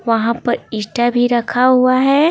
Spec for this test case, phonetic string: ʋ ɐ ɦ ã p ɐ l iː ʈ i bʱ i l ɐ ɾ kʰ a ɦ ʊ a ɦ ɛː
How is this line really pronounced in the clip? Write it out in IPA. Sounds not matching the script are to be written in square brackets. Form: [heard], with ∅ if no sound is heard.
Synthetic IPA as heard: ʋ ɐ ɦ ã p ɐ [ɾ] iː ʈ [a] bʱ i [ɾ] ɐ [∅] kʰ a ɦ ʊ a ɦ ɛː